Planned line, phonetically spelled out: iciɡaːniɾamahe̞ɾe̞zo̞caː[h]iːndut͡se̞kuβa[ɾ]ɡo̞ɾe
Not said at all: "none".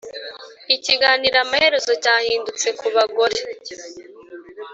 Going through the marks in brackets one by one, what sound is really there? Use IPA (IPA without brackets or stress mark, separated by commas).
h, none